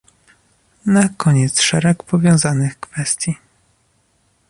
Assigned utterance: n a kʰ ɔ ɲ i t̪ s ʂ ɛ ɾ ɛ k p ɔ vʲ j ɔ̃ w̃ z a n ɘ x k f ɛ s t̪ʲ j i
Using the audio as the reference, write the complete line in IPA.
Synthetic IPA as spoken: n a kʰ ɔ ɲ ɛ t̪ s ʂ ɛ ɾ ɛ k p ɔ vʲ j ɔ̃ w̃ z a n ɘ x k f ɛ s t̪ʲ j i